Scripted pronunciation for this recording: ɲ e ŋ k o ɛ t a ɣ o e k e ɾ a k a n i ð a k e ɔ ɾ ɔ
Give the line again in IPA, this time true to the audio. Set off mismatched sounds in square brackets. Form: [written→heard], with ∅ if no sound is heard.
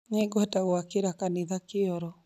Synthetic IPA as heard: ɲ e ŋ [k→ɡ] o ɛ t a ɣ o [e→a] k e ɾ a k a n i ð a k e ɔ ɾ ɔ